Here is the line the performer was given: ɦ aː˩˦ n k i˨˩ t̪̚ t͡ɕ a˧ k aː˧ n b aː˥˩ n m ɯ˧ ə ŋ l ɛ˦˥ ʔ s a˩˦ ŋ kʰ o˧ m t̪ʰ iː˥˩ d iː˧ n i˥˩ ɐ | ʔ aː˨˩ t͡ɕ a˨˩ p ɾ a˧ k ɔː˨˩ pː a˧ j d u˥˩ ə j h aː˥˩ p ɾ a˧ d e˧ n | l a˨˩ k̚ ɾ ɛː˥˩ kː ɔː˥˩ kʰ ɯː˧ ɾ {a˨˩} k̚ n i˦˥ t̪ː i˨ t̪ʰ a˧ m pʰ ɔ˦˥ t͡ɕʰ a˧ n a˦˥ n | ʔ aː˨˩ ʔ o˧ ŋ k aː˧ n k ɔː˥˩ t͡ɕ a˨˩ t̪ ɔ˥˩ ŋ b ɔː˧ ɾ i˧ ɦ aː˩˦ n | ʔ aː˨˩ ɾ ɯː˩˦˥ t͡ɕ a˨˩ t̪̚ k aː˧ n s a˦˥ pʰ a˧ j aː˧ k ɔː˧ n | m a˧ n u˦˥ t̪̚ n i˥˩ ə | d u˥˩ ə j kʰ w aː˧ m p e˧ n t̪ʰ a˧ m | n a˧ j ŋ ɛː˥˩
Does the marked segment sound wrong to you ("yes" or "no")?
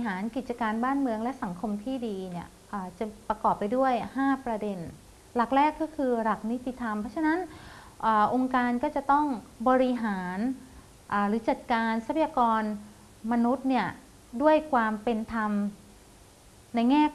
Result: no